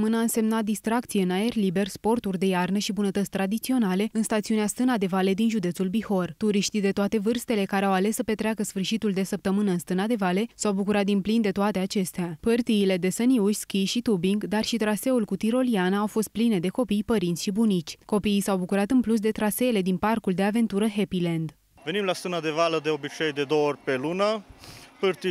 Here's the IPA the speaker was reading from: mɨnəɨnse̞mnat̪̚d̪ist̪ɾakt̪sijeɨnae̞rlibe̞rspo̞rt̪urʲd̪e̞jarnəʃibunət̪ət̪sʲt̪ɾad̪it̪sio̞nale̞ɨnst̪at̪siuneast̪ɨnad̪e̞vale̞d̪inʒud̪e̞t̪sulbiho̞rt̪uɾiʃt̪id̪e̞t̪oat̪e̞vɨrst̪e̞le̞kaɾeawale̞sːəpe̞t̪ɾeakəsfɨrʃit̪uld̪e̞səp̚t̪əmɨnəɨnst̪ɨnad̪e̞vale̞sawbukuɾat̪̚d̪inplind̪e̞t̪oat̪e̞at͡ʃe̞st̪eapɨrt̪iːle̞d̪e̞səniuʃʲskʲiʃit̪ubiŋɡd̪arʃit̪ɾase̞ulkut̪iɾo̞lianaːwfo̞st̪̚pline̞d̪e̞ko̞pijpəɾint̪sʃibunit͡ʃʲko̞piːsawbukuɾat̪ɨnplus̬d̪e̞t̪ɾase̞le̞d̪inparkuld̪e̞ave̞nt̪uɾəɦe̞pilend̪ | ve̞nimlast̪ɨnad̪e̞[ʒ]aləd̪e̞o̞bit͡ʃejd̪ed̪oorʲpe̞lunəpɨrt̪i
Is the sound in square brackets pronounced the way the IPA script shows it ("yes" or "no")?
no